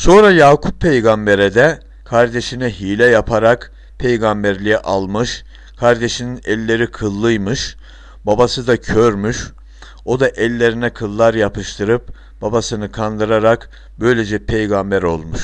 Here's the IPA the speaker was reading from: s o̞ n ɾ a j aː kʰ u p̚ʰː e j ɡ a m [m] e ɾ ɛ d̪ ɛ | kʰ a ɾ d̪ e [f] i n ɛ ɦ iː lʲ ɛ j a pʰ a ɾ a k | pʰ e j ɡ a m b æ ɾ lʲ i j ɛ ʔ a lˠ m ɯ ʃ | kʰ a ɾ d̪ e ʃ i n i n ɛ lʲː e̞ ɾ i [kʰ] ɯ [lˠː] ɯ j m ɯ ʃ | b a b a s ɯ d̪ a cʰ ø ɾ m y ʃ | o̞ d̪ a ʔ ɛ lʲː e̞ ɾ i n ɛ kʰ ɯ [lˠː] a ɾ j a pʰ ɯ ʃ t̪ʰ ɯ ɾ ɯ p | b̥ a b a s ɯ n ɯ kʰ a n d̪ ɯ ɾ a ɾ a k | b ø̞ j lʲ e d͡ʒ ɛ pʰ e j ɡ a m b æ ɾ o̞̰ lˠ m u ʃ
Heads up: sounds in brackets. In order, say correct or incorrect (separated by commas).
incorrect, incorrect, correct, correct, correct